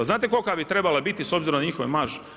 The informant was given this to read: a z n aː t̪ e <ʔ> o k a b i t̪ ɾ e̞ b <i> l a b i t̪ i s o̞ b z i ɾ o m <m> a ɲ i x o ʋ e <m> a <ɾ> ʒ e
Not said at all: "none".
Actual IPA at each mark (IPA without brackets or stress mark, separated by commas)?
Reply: k, a, n, m, none